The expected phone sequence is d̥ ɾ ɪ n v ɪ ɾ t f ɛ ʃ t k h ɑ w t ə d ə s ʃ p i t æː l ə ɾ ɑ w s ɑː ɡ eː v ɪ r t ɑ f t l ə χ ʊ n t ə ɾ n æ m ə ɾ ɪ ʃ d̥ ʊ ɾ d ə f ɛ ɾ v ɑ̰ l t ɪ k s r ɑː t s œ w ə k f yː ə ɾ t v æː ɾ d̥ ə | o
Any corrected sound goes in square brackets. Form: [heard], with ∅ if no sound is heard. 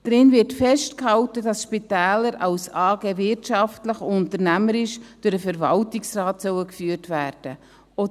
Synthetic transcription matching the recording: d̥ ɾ ɪ n v ɪ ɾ t f ɛ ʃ t k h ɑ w t ə d [ɑ] s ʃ p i t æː l ə ɾ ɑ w s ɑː ɡ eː v ɪ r t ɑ f t l ə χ ʊ n t ə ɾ n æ m ə ɾ ɪ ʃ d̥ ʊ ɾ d ə f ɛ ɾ v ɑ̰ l t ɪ k s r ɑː t s œ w ə k f yː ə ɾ t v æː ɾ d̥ ə | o